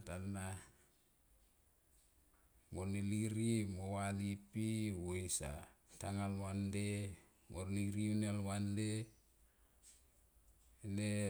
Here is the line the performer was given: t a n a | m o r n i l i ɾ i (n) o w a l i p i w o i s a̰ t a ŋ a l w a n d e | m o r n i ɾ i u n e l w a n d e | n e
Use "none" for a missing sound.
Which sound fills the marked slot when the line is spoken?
m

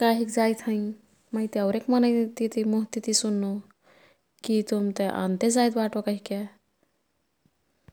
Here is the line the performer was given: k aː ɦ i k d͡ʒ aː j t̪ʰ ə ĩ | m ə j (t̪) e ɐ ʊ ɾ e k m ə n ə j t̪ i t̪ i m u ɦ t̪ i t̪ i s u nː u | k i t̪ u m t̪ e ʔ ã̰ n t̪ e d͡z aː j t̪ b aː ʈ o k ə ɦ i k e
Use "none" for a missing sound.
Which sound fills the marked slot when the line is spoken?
t̪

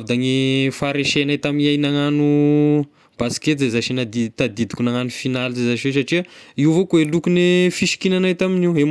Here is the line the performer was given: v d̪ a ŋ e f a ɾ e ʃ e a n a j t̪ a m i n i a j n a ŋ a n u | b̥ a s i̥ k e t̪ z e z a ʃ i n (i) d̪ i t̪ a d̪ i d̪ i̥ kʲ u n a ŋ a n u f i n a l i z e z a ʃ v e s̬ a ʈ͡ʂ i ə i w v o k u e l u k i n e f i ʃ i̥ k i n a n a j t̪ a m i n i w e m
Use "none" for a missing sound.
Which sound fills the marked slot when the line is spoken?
a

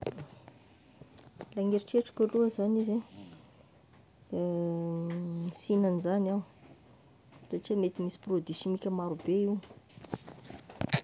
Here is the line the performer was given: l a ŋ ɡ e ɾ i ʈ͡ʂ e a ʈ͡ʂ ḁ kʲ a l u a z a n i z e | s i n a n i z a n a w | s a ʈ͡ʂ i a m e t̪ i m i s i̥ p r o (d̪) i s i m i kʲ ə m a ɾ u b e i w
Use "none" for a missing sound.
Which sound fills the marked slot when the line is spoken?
d̪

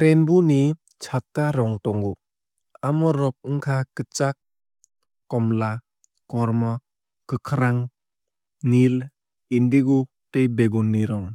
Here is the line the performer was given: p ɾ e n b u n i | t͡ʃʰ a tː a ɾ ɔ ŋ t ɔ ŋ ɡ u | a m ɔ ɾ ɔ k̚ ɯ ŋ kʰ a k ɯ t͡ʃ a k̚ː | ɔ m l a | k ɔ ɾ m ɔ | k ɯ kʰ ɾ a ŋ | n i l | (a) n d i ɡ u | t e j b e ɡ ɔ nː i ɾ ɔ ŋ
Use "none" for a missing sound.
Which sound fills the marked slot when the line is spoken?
i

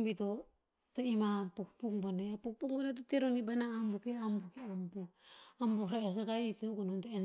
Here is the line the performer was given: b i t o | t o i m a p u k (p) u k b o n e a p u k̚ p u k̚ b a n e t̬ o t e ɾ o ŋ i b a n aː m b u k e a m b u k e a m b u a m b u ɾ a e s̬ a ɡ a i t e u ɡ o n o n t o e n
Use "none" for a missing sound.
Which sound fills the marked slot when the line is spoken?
p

